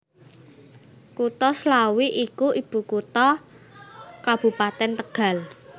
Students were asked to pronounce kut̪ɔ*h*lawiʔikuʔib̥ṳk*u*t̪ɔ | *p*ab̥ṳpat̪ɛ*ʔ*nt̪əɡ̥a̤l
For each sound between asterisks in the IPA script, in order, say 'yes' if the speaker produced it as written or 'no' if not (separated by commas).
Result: no, yes, no, no